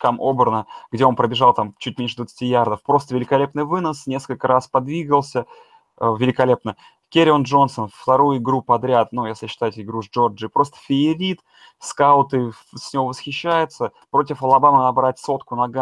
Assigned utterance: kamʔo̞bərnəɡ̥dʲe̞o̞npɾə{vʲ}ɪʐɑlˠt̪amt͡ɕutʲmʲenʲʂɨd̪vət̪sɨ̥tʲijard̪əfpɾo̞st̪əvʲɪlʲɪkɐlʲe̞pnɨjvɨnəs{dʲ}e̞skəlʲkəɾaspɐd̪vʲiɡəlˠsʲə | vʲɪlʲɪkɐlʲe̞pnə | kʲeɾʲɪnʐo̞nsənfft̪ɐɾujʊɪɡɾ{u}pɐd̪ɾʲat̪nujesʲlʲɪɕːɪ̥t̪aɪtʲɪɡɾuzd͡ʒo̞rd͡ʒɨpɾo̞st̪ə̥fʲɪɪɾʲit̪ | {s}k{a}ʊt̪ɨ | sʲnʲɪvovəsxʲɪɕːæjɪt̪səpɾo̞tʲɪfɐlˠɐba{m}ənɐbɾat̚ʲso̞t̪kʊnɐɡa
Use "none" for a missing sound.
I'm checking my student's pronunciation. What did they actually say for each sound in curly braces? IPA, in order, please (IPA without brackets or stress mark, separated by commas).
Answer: bʲ, nʲ, u, s, a, m